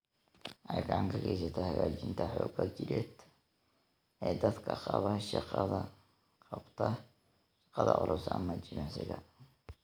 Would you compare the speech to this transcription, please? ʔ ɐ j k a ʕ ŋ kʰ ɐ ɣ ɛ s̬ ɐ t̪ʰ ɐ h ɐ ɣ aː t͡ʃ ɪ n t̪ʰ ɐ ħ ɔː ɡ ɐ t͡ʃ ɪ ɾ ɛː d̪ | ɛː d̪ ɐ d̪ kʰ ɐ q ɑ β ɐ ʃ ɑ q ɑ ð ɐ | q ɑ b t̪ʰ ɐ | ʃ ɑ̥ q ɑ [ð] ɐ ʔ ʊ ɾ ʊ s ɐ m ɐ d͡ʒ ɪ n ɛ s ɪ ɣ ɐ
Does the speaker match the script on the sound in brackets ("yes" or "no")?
yes